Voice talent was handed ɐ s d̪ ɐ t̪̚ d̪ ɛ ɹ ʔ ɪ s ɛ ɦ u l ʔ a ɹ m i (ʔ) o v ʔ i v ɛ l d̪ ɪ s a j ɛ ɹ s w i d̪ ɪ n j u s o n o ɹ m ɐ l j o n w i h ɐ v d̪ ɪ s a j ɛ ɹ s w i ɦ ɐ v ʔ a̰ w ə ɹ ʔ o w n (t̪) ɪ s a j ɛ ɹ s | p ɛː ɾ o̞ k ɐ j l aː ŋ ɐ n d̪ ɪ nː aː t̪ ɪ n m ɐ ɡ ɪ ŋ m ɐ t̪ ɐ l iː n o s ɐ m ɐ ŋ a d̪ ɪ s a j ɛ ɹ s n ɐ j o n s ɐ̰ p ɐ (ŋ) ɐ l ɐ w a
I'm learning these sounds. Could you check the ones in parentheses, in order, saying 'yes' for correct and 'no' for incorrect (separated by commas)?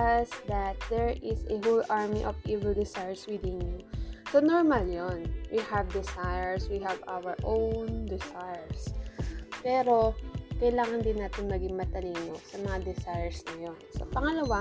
yes, no, yes